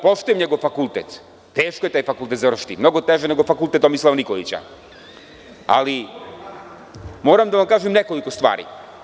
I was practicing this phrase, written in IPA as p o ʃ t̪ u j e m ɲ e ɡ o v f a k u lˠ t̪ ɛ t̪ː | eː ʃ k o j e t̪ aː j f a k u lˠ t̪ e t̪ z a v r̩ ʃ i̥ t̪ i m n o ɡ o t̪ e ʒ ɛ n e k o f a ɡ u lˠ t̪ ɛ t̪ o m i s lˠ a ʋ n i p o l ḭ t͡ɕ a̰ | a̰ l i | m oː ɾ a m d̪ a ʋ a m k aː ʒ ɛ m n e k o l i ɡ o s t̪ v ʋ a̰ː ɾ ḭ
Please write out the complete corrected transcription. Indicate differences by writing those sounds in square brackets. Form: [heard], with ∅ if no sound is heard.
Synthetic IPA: p o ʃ t̪ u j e m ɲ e ɡ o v f a k u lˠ t̪ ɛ t̪ː | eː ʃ k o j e t̪ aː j f a k u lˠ t̪ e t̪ z a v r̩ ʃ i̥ t̪ i m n o ɡ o t̪ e ʒ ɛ n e [ɡ] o f a [k] u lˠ t̪ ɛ t̪ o m i s lˠ a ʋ n i [k] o l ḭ t͡ɕ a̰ | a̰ l i | m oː ɾ a m d̪ a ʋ a m k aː ʒ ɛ m n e k o l i [k] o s t̪ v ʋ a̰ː ɾ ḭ

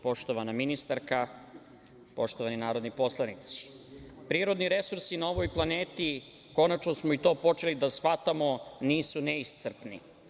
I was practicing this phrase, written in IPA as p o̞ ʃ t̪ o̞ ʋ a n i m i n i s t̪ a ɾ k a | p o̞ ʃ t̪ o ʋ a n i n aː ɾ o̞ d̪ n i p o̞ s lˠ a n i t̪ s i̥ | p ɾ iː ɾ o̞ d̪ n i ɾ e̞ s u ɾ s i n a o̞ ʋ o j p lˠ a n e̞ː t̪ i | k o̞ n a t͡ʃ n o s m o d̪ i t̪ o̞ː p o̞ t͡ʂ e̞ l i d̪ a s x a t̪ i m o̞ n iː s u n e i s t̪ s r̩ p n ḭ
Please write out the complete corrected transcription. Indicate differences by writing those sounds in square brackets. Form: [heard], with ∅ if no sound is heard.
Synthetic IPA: p o̞ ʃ t̪ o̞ ʋ a n [a] m i n i s t̪ a ɾ k a | p o̞ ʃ t̪ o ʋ a n i n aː ɾ o̞ d̪ n i p o̞ s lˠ a n i t̪ s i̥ | p ɾ iː ɾ o̞ d̪ n i ɾ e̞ s u ɾ s i n a o̞ ʋ o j p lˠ a n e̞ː t̪ i | k o̞ n a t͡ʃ n o s m o [∅] i t̪ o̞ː p o̞ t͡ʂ e̞ l i d̪ a s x a t̪ [a] m o̞ n iː s u n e i s t̪ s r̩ p n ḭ

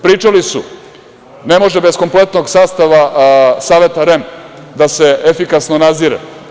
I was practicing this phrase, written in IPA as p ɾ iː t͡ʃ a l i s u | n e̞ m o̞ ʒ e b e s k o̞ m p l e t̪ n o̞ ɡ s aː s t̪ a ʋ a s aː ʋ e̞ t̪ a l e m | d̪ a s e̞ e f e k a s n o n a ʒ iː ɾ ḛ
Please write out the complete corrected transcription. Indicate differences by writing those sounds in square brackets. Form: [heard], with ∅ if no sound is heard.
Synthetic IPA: p ɾ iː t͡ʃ a l i s u | n e̞ m o̞ ʒ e b e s k o̞ m p l e t̪ n o̞ ɡ s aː s t̪ a ʋ a s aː ʋ e̞ t̪ a [ɾ] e m | d̪ a s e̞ e f [i] k a s n o n a [z] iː ɾ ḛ

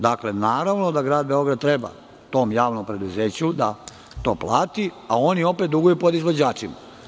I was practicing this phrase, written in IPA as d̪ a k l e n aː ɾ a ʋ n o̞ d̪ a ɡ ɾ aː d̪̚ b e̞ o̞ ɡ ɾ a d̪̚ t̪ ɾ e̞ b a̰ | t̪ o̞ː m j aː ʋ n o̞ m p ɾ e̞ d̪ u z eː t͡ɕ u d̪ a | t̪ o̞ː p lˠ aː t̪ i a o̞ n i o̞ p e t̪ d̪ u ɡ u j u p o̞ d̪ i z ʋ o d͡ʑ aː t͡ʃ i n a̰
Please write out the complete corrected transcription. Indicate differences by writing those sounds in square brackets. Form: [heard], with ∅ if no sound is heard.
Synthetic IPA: d̪ a k l e n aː ɾ a ʋ n o̞ d̪ a ɡ ɾ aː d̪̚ b e̞ o̞ ɡ ɾ a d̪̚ t̪ ɾ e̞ b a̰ | t̪ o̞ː m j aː ʋ n o̞ m p ɾ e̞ d̪ u z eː t͡ɕ u d̪ a | t̪ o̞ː p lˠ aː t̪ i a o̞ n i o̞ p e t̪ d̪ u ɡ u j u p o̞ d̪ i z ʋ o d͡ʑ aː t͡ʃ i [m] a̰

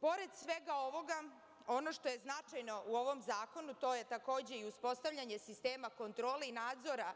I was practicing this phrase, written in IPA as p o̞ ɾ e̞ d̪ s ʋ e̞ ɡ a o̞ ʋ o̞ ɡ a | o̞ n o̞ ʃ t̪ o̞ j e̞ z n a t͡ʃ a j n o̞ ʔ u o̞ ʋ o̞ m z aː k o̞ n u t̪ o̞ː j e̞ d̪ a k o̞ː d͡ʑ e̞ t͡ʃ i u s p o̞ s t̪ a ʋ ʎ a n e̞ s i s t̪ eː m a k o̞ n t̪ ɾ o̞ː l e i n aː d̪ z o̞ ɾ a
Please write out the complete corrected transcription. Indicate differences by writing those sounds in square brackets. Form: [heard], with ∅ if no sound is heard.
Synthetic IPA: p o̞ ɾ e̞ d̪ s ʋ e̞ ɡ a o̞ ʋ o̞ ɡ a | o̞ n o̞ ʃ t̪ o̞ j e̞ z n a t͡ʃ a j n o̞ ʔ u o̞ ʋ o̞ m z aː k o̞ n u t̪ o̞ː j e̞ [t̪] a k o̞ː d͡ʑ e̞ [∅] i u s p o̞ s t̪ a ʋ ʎ a [ɲ] e̞ s i s t̪ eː m a k o̞ n t̪ ɾ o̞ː l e i n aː d̪ z o̞ ɾ a

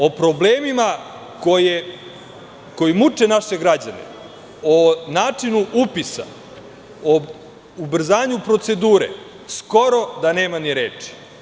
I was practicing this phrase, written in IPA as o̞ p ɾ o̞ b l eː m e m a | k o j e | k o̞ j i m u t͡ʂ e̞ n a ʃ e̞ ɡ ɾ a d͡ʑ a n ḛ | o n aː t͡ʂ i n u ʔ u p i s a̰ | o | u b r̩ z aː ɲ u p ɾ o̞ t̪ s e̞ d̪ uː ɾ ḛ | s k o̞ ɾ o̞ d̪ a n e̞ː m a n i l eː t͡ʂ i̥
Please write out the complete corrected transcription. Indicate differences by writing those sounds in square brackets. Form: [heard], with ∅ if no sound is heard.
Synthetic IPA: o̞ p ɾ o̞ b l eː m [i] m a | k o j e | k o̞ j i m u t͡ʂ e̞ n a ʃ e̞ ɡ ɾ a d͡ʑ a n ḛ | o n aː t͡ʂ i n u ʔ u p i s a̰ | o | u b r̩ z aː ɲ u p ɾ o̞ t̪ s e̞ d̪ uː ɾ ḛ | s k o̞ ɾ o̞ d̪ a n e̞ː m a n i [ɾ] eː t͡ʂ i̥

